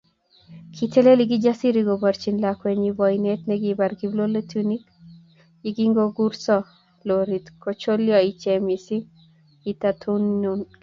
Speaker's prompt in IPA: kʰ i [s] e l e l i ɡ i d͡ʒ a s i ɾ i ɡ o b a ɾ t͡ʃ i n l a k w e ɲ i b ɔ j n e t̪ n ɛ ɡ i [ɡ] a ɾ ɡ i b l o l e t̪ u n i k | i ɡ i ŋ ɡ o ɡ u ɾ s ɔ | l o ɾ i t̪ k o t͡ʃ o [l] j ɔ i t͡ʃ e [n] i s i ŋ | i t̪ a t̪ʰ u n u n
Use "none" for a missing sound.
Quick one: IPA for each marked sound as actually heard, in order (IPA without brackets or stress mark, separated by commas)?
t, b, l, m